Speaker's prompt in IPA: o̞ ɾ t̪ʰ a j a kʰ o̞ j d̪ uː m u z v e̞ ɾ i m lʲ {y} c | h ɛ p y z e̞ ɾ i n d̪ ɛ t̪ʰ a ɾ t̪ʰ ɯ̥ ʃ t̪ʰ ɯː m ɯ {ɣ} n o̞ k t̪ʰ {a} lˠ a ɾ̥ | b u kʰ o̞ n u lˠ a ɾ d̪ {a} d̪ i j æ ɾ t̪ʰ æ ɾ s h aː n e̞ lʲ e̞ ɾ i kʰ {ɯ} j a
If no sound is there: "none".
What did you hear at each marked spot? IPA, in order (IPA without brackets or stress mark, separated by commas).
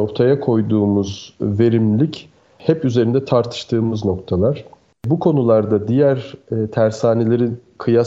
i, z, a, a, ɯ